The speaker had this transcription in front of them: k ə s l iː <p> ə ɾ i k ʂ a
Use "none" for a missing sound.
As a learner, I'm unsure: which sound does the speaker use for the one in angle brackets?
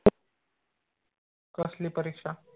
p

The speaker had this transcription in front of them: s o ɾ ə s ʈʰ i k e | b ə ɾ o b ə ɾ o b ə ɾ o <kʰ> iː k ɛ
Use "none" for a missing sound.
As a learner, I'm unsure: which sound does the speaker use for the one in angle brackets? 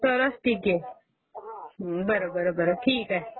ʈʰ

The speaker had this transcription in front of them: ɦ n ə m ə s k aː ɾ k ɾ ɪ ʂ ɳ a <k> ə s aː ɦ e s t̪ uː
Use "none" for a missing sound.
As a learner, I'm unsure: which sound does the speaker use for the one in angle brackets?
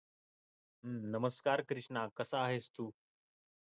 k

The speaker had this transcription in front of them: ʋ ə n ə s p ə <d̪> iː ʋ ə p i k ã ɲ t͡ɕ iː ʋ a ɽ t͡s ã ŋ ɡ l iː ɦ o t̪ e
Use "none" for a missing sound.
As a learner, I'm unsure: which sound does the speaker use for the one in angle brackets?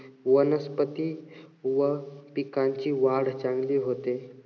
t̪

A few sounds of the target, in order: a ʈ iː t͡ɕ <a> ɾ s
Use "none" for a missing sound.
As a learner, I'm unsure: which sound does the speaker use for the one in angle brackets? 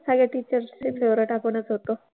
ə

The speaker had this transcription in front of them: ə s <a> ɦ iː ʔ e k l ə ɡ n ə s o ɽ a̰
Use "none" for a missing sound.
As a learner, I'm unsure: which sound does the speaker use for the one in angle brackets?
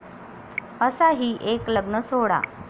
a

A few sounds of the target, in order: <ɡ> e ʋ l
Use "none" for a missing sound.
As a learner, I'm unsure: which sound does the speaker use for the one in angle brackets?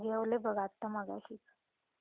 ɡ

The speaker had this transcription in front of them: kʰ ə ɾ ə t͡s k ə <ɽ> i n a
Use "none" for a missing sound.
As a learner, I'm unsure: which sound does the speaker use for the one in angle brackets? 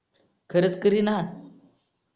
ɾ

